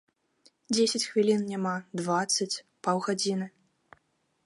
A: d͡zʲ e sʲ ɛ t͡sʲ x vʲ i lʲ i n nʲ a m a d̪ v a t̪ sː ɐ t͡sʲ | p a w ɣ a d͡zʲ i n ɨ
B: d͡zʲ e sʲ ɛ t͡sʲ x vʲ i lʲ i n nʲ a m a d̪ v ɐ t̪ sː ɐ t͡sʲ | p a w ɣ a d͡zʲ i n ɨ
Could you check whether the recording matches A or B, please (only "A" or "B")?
A